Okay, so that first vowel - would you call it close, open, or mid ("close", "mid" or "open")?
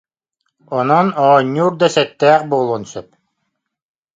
mid